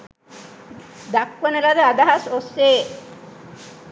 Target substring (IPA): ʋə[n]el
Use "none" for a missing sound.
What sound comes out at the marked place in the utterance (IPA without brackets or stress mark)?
n